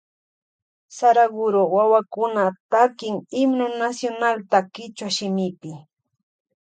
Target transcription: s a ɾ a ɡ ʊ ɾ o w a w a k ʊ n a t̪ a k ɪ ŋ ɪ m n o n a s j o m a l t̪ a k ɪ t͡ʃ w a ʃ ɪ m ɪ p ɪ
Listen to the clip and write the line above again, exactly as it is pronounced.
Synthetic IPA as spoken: s a ɾ a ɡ ʊ ɾ o w a w a k ʊ n a t̪ a k ɪ ŋ ɪ m n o n a s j o n a l t̪ a k ɪ t͡ʃ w a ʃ ɪ m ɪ p ɪ